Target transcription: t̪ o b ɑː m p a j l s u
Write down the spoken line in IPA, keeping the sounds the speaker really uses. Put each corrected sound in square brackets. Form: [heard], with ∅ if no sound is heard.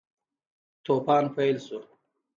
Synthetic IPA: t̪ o [p] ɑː [n] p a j l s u